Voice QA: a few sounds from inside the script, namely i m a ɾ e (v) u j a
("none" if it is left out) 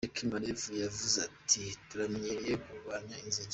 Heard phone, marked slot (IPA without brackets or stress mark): v